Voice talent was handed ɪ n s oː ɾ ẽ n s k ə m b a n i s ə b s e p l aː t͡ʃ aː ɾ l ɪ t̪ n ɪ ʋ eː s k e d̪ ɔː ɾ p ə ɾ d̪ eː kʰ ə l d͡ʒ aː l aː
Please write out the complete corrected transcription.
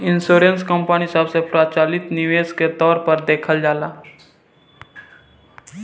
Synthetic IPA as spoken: ɪ n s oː ɾ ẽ n s k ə m p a n i s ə b s e p ɾ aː t͡ʃ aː l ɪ t̪ n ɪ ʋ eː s k e t̪ ɔː ɾ p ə ɾ d̪ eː kʰ ə l d͡ʒ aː l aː